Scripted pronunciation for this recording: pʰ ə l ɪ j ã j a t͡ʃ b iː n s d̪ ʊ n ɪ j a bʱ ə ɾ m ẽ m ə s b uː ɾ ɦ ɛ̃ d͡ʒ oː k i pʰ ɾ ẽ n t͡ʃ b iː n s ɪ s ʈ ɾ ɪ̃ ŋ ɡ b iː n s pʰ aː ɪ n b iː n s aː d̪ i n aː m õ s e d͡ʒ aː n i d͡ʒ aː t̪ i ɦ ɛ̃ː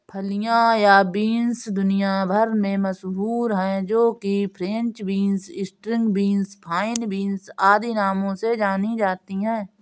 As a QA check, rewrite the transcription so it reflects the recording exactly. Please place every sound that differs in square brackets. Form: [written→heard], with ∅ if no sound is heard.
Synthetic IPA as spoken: pʰ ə l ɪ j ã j a [t͡ʃ→∅] b iː n s d̪ ʊ n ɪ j a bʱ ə ɾ m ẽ m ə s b uː ɾ ɦ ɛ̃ d͡ʒ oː k i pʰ ɾ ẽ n t͡ʃ b iː n s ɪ s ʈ ɾ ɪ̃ ŋ ɡ b iː n s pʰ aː ɪ n b iː n s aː d̪ i n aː m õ s e d͡ʒ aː n i d͡ʒ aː t̪ i ɦ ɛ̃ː